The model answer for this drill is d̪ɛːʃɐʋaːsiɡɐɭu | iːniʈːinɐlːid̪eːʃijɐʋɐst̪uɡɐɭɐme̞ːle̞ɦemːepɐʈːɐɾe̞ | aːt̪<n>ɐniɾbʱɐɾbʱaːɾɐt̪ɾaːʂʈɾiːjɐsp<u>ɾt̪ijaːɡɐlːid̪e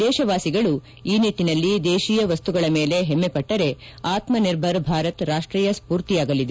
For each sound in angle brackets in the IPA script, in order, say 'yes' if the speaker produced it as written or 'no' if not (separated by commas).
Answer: no, no